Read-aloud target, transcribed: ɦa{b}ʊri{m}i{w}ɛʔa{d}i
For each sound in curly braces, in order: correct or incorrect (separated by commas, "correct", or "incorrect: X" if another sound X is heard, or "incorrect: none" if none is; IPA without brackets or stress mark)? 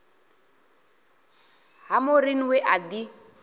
incorrect: m, incorrect: n, correct, correct